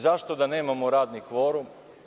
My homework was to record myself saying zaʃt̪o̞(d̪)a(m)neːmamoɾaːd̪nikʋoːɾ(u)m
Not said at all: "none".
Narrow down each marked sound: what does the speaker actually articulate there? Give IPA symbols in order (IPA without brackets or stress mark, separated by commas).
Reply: d̪, none, u